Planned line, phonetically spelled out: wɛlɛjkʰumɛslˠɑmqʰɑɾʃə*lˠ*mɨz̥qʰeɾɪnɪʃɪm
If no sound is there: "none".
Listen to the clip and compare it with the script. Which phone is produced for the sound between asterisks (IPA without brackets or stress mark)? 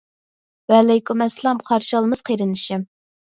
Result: lˠ